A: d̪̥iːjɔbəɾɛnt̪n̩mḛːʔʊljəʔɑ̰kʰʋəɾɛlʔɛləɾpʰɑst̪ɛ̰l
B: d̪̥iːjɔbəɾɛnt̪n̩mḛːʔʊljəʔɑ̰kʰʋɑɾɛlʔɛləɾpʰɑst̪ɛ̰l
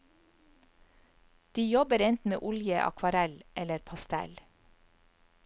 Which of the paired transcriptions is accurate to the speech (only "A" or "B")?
B